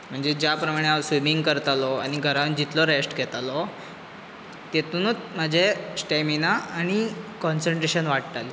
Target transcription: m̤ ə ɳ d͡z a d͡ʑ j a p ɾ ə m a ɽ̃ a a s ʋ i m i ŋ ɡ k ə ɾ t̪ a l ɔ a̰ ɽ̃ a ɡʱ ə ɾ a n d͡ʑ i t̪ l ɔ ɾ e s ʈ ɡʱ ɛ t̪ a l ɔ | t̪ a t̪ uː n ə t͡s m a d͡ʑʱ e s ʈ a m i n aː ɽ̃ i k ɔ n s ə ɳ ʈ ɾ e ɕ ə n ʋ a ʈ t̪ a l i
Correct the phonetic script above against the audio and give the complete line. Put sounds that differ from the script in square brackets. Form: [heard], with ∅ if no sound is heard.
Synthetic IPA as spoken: m̤ ə ɳ d͡z [e] d͡ʑ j a p ɾ ə m a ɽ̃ [e] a s ʋ i m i ŋ ɡ k ə ɾ t̪ a l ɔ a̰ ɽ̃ [i] ɡʱ ə ɾ a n d͡ʑ i t̪ l ɔ ɾ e s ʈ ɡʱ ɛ t̪ a l ɔ | t̪ [e] t̪ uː n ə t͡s m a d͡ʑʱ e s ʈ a m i n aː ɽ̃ i k ɔ n s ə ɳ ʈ ɾ e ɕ ə n ʋ a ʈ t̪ a l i